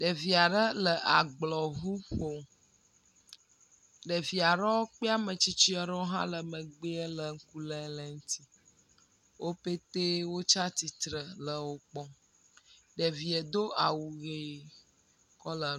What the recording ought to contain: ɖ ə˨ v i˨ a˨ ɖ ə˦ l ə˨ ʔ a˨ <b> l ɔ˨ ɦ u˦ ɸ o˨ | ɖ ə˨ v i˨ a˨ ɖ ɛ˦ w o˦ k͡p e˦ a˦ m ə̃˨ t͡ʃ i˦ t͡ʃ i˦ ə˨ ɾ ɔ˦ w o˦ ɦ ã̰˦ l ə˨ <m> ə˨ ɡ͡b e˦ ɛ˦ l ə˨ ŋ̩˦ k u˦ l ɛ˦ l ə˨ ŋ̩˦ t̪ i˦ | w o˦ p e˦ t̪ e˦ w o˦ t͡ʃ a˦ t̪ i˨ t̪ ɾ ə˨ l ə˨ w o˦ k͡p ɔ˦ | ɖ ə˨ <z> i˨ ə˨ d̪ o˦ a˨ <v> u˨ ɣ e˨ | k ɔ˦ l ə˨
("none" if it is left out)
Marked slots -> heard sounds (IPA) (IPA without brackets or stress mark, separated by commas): ɡ͡b, m, v, w